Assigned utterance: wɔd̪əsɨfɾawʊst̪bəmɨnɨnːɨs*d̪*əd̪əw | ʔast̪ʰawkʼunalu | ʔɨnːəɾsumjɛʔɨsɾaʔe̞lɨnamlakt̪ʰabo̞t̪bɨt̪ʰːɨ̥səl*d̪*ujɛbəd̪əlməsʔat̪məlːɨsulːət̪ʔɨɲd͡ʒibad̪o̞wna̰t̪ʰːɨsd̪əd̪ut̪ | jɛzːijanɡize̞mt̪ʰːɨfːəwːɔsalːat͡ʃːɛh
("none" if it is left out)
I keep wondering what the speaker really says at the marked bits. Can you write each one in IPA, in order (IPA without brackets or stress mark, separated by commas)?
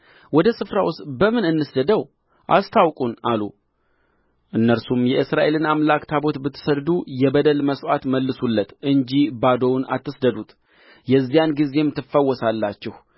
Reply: d̪, d̪